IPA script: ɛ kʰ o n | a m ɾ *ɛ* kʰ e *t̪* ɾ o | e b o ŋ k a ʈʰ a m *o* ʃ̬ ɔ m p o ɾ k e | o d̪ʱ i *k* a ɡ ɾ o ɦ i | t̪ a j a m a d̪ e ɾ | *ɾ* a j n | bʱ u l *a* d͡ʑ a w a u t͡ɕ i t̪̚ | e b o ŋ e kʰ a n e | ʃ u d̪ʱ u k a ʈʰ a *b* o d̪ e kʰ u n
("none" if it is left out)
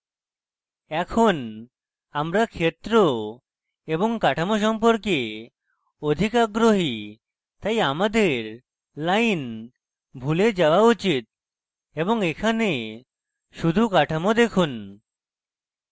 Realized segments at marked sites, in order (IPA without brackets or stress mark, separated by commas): a, t̪, o, k, l, e, m